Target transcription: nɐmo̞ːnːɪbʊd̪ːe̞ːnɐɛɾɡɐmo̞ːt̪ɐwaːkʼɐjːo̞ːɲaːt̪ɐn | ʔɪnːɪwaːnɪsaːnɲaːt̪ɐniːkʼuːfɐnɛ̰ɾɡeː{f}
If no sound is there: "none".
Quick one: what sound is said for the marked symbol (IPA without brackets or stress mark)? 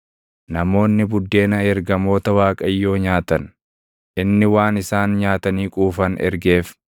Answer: f